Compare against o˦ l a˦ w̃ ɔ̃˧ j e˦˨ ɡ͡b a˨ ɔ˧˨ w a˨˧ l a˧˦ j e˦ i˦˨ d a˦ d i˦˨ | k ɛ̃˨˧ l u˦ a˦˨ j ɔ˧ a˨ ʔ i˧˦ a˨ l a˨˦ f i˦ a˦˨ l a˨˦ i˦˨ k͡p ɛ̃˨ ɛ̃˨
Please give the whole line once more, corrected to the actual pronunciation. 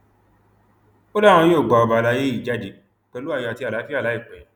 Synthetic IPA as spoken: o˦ l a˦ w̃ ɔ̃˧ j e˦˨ ɡ͡b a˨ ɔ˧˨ b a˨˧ l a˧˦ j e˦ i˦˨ d͡ʒ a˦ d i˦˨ | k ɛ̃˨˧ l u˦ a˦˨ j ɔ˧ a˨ t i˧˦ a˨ l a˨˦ f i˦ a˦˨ l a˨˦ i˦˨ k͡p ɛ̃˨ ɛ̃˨

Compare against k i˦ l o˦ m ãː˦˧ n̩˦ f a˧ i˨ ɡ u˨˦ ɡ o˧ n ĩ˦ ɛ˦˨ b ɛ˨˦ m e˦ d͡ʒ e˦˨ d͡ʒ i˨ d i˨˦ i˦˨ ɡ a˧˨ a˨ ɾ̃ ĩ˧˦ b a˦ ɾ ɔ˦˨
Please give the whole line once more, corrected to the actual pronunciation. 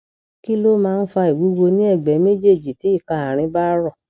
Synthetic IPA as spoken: k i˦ l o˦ m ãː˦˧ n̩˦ f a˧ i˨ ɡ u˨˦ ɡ o˧ n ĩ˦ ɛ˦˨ ɡ͡b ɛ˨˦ m e˦ d͡ʒ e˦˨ d͡ʒ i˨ t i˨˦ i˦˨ k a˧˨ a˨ ɾ̃ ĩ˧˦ b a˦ ɾ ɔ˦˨

